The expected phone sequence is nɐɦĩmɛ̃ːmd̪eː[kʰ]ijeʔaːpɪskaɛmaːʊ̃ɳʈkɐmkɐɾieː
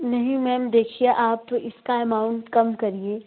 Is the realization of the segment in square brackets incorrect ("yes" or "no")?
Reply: no